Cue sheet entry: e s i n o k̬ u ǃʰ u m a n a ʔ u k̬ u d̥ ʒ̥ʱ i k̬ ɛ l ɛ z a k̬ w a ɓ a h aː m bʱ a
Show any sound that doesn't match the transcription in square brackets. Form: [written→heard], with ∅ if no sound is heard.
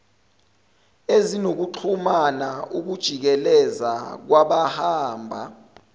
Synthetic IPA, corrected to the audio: e [s→z] i n o k̬ u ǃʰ u m a n a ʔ u k̬ u d̥ ʒ̥ʱ i k̬ ɛ l ɛ z a k̬ w a ɓ a h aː m bʱ a